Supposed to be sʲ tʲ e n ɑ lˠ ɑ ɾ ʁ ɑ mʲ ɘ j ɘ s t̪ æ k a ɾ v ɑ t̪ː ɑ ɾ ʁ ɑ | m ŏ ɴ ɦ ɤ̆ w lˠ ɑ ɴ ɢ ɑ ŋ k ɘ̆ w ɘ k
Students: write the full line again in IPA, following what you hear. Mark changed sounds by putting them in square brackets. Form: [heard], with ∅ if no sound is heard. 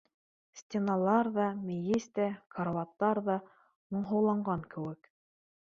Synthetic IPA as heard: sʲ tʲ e n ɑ lˠ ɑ ɾ [ð] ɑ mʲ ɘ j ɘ s t̪ æ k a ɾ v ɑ t̪ː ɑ ɾ [ð] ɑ | m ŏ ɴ ɦ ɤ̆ w lˠ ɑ ɴ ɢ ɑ ŋ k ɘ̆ w ɘ k